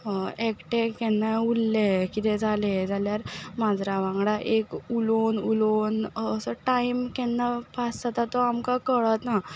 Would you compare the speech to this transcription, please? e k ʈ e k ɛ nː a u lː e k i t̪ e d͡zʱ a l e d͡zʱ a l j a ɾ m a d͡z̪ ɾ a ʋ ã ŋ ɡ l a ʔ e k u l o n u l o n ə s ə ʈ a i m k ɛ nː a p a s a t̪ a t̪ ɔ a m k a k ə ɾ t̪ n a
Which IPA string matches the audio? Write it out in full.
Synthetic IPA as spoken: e k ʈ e k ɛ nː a u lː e k i t̪ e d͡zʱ a l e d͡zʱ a l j a ɾ m a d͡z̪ ɾ a ʋ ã ŋ ɡ ɽ a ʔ e k u l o n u l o n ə s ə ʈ a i m k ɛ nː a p a s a t̪ a t̪ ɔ a m k a k ə ɭ t̪ n a